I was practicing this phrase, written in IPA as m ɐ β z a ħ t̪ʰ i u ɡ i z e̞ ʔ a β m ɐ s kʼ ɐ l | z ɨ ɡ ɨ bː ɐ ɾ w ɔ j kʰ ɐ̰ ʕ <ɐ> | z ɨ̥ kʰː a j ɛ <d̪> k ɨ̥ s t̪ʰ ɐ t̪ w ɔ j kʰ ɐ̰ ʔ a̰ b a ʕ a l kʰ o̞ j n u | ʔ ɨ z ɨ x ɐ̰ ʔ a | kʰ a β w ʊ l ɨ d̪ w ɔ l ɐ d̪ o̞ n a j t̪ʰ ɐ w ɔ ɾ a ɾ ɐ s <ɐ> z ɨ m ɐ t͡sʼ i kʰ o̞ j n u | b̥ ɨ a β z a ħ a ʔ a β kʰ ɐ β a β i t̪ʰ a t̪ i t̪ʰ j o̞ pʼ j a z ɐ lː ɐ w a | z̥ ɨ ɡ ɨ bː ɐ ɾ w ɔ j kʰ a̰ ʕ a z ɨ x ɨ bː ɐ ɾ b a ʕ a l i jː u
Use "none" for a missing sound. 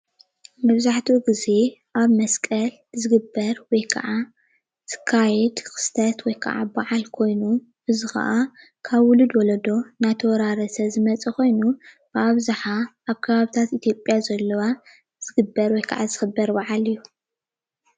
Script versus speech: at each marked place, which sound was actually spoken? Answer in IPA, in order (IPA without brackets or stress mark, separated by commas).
a, d̪, ɐ